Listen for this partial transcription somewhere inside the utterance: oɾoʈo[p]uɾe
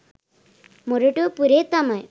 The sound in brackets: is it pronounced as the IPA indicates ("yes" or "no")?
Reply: yes